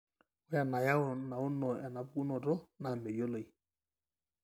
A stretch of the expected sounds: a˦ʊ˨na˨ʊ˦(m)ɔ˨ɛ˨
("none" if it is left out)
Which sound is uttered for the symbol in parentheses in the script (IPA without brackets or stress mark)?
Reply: n